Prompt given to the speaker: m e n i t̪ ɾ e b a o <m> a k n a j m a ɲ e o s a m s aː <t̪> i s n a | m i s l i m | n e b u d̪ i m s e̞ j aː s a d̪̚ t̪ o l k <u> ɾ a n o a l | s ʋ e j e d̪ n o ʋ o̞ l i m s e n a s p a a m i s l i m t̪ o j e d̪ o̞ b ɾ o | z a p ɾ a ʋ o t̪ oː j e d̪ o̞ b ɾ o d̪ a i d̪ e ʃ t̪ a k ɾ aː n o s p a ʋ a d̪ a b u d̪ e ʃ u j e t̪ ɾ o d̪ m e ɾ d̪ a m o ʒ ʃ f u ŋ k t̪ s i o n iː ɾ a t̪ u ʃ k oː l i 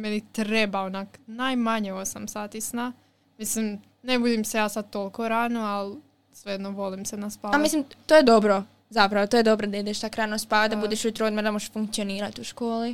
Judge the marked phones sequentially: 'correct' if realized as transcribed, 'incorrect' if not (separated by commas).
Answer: incorrect, correct, incorrect